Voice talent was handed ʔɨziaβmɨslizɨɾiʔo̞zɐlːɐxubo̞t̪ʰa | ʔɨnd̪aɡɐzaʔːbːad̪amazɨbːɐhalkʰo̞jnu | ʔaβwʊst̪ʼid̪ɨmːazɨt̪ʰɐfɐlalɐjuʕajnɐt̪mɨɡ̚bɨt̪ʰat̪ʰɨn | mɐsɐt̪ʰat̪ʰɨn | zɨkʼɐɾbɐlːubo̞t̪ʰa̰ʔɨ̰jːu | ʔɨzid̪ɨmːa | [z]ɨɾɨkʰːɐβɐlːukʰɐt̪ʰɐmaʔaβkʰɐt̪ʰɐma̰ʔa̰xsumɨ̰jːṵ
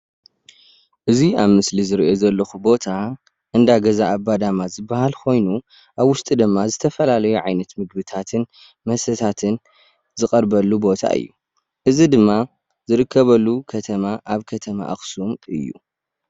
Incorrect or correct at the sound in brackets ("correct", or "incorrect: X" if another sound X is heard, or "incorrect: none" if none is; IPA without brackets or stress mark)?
correct